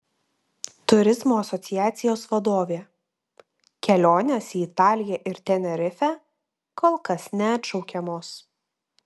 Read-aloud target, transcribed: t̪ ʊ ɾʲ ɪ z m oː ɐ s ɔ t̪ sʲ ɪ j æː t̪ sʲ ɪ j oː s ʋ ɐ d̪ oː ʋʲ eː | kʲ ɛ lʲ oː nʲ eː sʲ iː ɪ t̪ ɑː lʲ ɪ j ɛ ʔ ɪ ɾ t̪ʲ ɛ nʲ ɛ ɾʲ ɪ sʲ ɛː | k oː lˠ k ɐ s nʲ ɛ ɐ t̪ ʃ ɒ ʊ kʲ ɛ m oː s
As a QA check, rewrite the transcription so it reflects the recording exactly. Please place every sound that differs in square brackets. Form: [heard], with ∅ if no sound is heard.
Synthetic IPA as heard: t̪ ʊ ɾʲ ɪ z m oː ɐ s ɔ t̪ sʲ ɪ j æː t̪ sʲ ɪ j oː s ʋ ɐ d̪ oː ʋʲ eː | kʲ ɛ lʲ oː nʲ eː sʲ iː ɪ t̪ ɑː lʲ ɪ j ɛ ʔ ɪ ɾ t̪ʲ ɛ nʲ ɛ ɾʲ ɪ [fʲ] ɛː | k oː lˠ k ɐ s nʲ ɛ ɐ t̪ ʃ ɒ ʊ kʲ ɛ m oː s